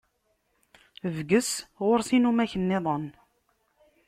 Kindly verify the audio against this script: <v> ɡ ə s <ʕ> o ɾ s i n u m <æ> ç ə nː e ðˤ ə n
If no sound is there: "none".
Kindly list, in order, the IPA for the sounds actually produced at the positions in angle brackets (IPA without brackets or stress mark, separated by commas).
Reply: v, ʁ, æ